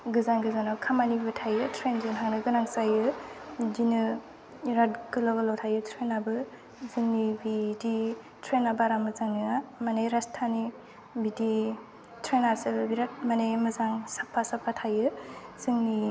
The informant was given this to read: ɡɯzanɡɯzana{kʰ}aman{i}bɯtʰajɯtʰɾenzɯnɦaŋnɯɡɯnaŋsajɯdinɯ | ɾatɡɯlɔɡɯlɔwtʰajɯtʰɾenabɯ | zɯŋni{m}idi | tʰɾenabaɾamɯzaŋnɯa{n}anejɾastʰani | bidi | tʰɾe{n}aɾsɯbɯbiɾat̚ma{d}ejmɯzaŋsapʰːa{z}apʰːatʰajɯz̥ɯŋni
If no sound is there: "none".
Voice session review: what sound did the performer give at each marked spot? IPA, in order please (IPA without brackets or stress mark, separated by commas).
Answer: kʰ, i, b, m, n, n, s